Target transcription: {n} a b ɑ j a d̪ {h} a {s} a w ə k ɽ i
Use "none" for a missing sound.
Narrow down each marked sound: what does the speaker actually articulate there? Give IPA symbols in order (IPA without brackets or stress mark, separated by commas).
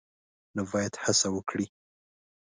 n, h, s